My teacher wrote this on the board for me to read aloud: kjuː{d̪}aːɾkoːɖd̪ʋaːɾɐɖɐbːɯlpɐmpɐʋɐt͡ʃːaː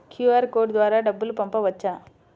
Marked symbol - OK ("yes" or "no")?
no